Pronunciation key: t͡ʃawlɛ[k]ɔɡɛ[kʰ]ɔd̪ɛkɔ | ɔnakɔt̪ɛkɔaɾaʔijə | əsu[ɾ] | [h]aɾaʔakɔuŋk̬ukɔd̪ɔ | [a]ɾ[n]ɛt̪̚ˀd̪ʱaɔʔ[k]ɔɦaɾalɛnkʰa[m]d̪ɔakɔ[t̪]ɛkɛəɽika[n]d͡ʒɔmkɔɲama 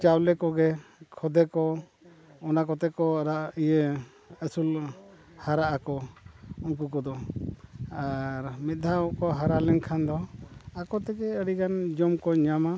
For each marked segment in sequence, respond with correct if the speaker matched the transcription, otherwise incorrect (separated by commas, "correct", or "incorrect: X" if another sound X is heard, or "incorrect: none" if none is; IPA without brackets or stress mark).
correct, correct, incorrect: l, correct, correct, incorrect: m, correct, incorrect: n, correct, correct